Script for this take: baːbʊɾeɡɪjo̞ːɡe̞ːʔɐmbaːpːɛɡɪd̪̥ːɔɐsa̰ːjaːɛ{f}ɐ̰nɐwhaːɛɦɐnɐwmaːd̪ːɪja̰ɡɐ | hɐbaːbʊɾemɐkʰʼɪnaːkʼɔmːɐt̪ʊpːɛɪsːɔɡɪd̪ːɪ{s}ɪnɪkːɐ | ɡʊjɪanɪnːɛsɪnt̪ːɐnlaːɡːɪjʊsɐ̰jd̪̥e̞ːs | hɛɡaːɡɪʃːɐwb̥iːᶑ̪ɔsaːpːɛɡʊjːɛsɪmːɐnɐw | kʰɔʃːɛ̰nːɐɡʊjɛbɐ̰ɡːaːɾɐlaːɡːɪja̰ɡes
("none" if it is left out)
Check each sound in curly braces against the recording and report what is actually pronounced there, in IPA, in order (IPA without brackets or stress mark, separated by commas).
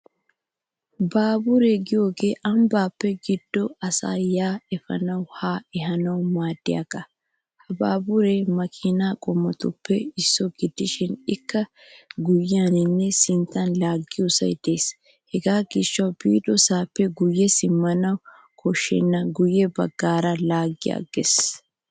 f, ʃ